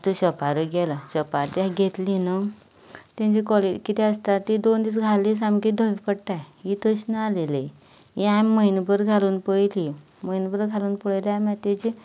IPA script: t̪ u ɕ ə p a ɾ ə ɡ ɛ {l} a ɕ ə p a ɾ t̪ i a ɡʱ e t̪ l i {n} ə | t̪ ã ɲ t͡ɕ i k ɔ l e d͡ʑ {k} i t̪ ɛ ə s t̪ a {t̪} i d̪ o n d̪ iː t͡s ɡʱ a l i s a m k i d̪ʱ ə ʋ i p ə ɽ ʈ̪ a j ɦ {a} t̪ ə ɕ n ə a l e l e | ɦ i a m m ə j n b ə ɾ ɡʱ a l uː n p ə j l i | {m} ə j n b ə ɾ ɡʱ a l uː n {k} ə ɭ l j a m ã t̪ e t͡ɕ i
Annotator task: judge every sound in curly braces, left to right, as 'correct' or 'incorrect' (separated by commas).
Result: correct, correct, correct, correct, incorrect, correct, incorrect